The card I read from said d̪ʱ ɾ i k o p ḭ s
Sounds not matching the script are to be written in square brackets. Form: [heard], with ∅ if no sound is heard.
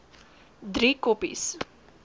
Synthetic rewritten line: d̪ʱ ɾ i k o p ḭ s